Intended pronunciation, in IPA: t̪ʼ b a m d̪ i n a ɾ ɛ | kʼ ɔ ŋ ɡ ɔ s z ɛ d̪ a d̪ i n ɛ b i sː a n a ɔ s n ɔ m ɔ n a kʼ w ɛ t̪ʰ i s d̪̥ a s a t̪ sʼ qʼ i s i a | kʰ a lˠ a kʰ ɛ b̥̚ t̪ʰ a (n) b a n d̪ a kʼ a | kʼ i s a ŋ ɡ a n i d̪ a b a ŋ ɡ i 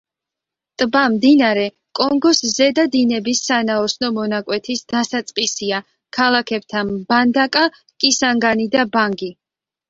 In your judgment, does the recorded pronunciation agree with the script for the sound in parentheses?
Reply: yes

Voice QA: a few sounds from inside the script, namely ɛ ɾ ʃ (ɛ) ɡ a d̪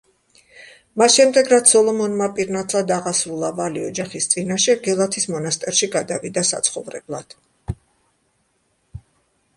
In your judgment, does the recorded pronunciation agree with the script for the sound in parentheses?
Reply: no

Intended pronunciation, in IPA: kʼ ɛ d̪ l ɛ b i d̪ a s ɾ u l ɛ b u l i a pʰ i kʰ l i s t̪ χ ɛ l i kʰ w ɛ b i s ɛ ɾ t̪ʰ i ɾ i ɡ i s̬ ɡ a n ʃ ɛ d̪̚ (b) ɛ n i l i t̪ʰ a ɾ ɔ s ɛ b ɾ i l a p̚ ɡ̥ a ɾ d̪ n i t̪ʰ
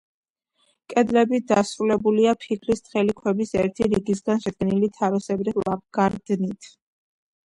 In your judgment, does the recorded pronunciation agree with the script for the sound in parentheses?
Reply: no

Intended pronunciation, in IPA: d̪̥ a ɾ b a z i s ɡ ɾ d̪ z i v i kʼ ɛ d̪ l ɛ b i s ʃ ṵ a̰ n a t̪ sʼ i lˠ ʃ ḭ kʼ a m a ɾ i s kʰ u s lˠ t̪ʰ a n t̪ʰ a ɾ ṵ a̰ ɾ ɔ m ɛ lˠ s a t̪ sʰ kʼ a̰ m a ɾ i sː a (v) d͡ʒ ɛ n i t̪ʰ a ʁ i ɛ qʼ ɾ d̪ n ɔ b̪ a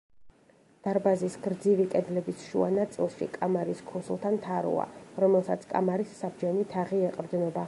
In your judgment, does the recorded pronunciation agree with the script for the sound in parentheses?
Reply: no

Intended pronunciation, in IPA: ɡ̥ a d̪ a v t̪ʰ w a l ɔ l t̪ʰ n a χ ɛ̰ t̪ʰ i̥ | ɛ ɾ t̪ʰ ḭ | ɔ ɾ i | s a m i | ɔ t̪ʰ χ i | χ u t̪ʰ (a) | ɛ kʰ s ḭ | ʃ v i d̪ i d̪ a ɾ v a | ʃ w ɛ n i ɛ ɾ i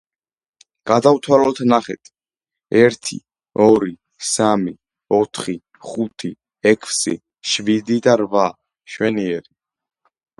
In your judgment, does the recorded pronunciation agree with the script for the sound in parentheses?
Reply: no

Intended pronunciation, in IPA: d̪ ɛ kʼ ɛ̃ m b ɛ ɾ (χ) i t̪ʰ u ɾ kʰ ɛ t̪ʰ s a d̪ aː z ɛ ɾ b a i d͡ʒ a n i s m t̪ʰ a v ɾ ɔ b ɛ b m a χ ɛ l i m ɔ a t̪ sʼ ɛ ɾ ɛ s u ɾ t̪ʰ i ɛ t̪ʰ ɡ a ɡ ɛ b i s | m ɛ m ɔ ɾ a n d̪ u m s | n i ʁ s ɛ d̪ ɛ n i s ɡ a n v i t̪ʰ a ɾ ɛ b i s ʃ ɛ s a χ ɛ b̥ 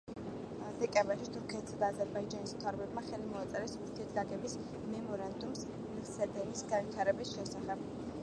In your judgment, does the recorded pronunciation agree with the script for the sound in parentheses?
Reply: no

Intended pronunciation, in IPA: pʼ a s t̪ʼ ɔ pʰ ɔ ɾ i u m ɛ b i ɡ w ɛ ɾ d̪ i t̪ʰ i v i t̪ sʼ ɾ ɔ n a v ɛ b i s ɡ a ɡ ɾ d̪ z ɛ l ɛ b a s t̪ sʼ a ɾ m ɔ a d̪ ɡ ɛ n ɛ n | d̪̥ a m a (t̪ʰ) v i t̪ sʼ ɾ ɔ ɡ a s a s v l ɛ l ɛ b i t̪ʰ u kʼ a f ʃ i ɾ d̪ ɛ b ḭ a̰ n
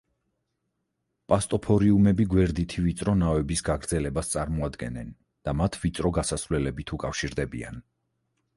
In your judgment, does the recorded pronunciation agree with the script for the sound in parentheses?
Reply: yes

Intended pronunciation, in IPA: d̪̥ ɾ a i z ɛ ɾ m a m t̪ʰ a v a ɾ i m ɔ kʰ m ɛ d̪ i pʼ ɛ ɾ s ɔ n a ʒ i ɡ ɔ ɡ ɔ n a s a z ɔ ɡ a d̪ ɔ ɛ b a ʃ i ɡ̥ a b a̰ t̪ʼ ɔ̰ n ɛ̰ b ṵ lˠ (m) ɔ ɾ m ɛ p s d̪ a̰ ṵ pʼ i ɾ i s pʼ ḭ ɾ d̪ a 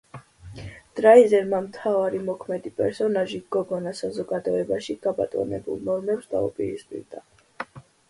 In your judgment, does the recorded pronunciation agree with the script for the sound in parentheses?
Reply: no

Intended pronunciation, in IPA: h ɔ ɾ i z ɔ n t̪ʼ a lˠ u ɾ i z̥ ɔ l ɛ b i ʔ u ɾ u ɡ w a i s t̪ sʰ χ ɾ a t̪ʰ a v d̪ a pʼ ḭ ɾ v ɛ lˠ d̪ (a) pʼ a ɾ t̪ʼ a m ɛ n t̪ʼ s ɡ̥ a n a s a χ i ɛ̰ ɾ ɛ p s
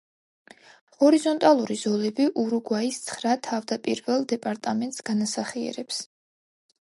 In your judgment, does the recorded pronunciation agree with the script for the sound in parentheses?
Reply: no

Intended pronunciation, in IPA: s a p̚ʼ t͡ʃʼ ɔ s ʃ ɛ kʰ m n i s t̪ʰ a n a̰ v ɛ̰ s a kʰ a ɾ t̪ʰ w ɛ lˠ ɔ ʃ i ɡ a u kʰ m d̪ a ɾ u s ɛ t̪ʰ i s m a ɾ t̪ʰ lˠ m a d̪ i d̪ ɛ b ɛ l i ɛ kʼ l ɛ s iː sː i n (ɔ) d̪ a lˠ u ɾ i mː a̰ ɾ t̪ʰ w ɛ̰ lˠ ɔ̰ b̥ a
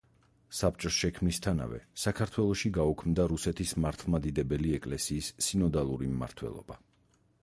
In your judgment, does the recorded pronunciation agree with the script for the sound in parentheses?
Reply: yes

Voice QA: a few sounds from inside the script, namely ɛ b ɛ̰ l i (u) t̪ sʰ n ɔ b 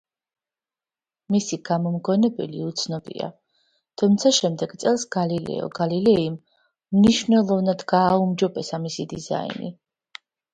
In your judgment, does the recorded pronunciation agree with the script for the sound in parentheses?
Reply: yes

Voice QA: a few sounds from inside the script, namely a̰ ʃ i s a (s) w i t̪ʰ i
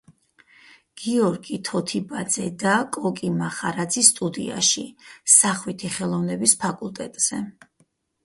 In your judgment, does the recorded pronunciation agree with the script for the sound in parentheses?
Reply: no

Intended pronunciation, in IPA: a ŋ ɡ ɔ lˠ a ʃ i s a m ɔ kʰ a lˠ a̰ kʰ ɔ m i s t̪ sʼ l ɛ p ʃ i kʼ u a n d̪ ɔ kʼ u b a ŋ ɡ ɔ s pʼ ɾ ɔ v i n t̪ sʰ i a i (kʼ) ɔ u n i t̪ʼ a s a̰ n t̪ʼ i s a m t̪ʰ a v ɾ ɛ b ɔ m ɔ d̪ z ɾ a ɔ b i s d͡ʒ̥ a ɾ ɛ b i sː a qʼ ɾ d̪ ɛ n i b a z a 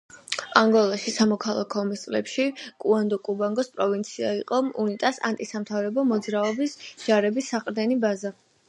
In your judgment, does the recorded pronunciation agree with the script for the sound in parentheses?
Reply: no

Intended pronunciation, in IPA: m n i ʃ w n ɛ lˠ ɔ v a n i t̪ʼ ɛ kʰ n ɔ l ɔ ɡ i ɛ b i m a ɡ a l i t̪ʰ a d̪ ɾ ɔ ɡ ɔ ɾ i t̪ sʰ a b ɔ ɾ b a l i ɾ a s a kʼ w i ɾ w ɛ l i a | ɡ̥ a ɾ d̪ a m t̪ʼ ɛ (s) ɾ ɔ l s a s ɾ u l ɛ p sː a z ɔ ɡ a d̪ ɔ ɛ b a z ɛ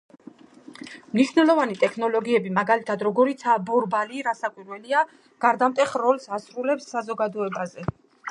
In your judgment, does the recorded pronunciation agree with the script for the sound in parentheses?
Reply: no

